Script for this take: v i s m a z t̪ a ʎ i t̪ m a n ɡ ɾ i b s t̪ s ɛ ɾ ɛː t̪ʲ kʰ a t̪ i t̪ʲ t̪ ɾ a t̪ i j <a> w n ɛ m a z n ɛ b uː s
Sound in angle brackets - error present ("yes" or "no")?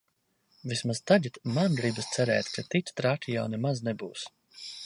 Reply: no